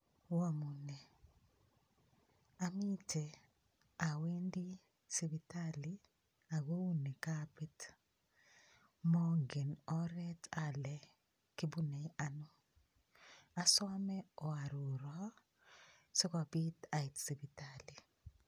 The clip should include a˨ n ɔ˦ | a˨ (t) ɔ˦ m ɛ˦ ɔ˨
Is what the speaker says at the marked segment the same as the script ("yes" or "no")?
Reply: no